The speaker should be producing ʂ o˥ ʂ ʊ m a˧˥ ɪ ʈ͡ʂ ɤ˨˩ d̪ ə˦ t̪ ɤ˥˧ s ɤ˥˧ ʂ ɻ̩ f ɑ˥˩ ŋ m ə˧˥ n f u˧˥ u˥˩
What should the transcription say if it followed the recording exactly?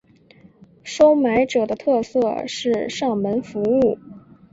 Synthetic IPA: ʂ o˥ ʊ m a˧˥ ɪ ʈ͡ʂ ɤ˨˩ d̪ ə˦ t̪ʰ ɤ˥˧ s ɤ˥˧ ʂ ɻ̩ ʂ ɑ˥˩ ŋ m ə˧˥ n f u˧˥ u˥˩

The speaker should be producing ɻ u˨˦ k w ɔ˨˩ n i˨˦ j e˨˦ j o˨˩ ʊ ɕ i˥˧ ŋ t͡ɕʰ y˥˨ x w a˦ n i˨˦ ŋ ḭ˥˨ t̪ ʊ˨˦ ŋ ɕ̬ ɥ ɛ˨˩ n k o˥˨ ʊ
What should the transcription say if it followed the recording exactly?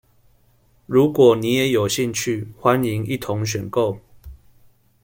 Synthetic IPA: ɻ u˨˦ k w ɔ˨˩ n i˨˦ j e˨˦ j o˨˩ ʊ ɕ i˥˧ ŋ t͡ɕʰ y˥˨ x w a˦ n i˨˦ ŋ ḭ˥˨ t̪ʰ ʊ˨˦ ŋ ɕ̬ ɥ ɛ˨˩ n k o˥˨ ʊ

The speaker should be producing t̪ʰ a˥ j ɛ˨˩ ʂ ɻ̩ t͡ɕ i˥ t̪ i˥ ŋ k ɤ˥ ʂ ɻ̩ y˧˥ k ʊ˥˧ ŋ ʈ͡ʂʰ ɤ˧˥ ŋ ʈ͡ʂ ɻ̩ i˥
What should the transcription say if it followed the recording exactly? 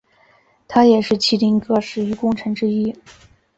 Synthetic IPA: t̪ʰ a˥ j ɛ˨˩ ʂ ɻ̩ t͡ɕʰ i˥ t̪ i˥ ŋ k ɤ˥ ʂ ɻ̩ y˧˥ k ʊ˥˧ ŋ ʈ͡ʂʰ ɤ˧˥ ŋ ʈ͡ʂ ɻ̩ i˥

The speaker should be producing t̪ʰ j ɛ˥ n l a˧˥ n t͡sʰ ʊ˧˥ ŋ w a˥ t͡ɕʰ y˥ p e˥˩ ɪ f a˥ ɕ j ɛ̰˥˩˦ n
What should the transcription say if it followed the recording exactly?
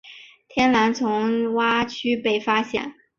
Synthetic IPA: t̪ʰ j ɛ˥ n l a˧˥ n t͡sʰ ʊ˧˥ ŋ w a˥ t͡ɕʰ y˥ p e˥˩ ɪ f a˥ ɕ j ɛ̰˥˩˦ n

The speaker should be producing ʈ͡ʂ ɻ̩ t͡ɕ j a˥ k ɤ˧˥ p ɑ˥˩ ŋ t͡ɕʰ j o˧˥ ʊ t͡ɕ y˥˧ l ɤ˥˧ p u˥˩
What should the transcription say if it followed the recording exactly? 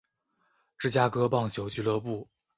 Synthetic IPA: ʈ͡ʂ ɻ̩ t͡ɕ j a˥ k ɤ˥ p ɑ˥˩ ŋ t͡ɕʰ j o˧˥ ʊ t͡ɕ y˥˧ l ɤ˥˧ p u˥˩

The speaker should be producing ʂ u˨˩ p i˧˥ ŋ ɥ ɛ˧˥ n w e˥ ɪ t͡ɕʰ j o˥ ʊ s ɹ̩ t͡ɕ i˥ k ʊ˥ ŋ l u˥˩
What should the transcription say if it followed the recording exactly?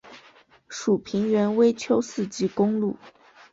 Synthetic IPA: ʂ u˨˩ pʰ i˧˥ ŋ ɥ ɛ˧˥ n w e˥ ɪ t͡ɕʰ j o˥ ʊ s ɹ̩ t͡ɕ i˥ k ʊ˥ ŋ l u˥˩

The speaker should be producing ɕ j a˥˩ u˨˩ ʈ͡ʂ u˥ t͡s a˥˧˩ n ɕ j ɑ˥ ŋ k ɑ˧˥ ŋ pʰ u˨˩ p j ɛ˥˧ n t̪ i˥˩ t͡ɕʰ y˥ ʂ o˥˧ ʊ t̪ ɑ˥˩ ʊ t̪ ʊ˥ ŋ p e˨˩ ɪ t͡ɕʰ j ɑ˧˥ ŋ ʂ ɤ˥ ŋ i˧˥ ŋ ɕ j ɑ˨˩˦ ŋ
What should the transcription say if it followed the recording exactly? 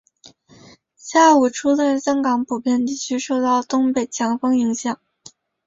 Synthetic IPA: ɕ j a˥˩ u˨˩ ʈ͡ʂʰ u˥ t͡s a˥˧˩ n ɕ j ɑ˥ ŋ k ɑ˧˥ ŋ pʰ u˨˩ p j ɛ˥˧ n t̪ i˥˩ t͡ɕʰ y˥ ʂ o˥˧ ʊ t̪ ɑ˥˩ ʊ t̪ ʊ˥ ŋ p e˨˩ ɪ t͡ɕʰ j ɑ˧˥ ŋ f ɤ˥ ŋ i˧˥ ŋ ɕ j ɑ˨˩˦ ŋ

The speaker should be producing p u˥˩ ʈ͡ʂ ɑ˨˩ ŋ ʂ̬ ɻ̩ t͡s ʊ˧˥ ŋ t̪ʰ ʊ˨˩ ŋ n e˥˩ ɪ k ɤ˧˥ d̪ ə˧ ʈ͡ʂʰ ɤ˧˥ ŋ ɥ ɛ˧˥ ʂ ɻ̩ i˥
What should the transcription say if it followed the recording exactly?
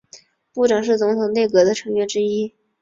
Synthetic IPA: p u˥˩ ʈ͡ʂ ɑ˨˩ ŋ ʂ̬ ɻ̩ t͡s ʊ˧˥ ŋ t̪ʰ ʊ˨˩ ŋ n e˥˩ ɪ k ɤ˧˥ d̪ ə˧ ʈ͡ʂʰ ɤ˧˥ ŋ ɥ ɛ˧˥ ʈ͡ʂ ɻ̩ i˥

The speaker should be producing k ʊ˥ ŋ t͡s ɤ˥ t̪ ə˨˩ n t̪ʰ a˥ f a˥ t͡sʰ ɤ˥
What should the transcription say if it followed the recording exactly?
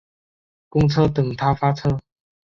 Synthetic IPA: k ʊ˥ ŋ t͡sʰ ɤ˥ t̪ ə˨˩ ŋ t̪ʰ a˥ f a˥ t͡sʰ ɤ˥

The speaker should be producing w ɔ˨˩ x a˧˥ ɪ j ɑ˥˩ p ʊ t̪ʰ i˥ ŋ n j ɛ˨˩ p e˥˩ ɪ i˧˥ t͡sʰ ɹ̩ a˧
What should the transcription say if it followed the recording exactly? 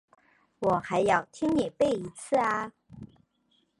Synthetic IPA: w ɔ˨˩ x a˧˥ ɪ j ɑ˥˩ ʊ t̪ʰ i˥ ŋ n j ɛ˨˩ p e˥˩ ɪ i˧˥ t͡sʰ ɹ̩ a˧

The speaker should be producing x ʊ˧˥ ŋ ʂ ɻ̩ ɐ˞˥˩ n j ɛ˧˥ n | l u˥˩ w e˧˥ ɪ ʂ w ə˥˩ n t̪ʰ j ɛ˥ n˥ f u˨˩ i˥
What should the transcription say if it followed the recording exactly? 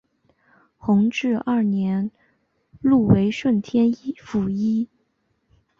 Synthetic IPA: x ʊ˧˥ ŋ ʈ͡ʂ ɻ̩ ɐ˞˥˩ n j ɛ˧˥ n | l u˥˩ w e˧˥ ɪ ʂ w ə˥˩ n t̪ʰ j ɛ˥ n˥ f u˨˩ i˥

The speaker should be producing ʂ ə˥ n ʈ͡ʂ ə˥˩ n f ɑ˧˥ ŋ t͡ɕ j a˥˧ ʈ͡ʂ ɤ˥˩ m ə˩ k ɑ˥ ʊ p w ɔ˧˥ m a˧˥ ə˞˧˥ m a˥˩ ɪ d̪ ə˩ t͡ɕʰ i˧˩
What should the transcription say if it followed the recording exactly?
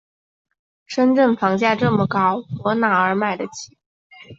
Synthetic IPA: ʂ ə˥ n ʈ͡ʂ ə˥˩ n f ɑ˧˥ ŋ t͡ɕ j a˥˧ ʈ͡ʂ ɤ˥˩ m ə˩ k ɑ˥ ʊ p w ɔ˧˥ n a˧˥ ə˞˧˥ m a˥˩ ɪ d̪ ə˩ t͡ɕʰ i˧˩

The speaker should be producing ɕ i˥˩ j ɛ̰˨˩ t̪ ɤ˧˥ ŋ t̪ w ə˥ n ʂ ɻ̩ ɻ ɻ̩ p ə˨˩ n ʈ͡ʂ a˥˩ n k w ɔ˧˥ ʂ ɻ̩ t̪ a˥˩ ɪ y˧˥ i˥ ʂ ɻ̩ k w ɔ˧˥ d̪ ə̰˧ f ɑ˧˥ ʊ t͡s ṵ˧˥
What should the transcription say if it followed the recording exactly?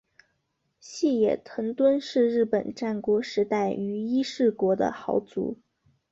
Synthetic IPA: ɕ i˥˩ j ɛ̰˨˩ t̪ʰ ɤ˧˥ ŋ t̪ w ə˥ n ʂ ɻ̩ ɻ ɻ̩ p ə˨˩ n ʈ͡ʂ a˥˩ n k w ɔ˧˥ ʂ ɻ̩ t̪ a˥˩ ɪ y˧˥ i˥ ʂ ɻ̩ k w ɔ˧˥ d̪ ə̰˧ x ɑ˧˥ ʊ t͡s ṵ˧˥

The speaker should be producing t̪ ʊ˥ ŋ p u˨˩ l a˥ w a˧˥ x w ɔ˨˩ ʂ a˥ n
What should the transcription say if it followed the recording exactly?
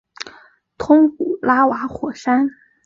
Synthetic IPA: t̪ʰ ʊ˥ ŋ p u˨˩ l a˥ w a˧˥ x w ɔ˨˩ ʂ a˥ n

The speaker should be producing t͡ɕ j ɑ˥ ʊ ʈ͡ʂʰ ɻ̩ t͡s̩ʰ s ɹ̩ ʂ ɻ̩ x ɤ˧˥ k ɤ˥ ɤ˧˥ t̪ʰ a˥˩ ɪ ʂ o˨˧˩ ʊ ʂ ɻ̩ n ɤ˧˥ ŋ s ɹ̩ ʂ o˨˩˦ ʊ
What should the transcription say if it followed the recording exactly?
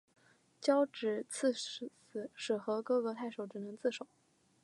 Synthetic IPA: t͡ɕ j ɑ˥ ʊ ʈ͡ʂ ɻ̩ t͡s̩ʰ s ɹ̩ ʂ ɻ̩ x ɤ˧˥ k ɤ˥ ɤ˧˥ t̪ʰ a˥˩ ɪ ʂ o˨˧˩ ʊ ʈ͡ʂ ɻ̩ n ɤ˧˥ ŋ t͡s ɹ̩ ʂ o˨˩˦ ʊ

